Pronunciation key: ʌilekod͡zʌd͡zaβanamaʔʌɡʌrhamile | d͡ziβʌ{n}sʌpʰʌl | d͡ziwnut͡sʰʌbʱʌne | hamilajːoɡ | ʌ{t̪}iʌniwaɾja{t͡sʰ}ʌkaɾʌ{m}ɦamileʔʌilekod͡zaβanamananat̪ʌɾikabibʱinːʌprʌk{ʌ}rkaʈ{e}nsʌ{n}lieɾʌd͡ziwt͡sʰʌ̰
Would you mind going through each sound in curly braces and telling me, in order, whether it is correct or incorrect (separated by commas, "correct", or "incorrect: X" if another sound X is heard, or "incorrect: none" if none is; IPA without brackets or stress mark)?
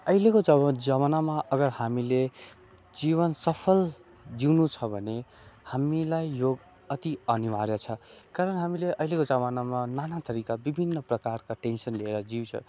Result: correct, correct, correct, incorrect: n, incorrect: a, correct, correct